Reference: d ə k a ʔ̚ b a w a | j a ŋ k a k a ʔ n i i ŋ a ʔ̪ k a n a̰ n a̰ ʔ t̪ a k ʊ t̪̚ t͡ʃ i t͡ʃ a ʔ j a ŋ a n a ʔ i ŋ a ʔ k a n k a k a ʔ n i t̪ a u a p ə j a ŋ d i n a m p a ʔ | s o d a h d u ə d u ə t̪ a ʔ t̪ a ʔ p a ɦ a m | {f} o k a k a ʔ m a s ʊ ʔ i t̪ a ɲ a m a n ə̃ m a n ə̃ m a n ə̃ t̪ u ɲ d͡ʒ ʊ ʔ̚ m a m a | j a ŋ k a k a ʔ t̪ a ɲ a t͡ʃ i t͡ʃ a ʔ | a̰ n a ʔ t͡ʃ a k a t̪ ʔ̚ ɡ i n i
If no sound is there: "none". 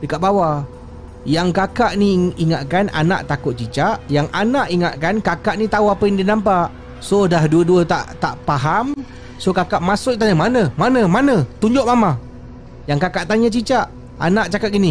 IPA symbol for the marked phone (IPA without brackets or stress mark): s